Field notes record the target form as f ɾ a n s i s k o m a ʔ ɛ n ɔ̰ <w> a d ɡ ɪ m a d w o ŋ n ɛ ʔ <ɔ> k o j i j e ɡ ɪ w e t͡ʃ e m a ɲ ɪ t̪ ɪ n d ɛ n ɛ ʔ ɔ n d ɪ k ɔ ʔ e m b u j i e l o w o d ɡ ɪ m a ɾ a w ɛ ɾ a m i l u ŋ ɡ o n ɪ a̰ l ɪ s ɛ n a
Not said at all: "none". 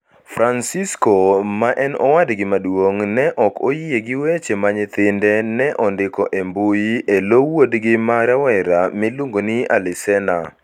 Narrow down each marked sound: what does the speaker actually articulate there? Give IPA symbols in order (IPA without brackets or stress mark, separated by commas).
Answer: w, ɔ